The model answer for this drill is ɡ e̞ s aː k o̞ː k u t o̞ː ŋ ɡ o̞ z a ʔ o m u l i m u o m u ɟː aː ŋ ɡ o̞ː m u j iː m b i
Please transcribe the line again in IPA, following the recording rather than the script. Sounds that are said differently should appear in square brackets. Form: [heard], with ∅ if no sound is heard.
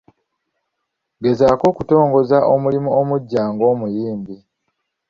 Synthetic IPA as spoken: ɡ e̞ [z] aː k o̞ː k u t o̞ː ŋ ɡ o̞ z a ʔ o m u l i m u o m u ɟː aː ŋ ɡ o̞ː m u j iː m b i